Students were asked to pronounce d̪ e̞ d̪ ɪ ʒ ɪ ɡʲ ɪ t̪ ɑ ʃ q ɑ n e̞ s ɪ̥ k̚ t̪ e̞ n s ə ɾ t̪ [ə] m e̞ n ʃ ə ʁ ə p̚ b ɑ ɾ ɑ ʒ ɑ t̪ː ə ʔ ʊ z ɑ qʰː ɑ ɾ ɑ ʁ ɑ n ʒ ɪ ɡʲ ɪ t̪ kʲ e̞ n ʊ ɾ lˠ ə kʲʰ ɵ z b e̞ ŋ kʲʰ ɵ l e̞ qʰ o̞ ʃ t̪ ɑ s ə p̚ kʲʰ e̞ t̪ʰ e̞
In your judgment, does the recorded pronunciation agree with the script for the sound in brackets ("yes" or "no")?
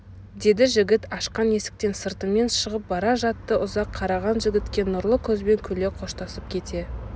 yes